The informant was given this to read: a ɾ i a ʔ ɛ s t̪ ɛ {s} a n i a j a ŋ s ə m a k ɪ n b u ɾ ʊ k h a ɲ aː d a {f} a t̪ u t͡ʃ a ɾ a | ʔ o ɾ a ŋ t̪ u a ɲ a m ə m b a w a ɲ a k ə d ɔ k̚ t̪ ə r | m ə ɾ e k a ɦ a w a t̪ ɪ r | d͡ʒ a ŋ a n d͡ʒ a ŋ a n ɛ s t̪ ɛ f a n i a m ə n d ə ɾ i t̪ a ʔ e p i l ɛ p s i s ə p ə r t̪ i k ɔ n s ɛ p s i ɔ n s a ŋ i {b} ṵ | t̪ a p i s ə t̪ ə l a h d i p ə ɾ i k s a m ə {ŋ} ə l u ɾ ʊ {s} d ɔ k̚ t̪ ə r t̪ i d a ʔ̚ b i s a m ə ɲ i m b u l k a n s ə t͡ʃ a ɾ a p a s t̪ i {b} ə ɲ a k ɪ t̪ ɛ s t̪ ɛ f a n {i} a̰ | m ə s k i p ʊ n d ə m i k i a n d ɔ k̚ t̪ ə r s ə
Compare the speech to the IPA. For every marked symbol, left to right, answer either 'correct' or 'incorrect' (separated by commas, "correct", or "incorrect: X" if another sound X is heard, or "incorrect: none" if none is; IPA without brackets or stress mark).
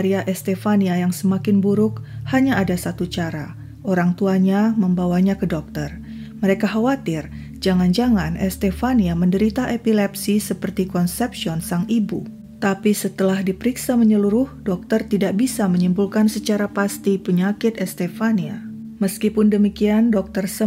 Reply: incorrect: f, incorrect: s, correct, incorrect: ɲ, incorrect: h, incorrect: p, correct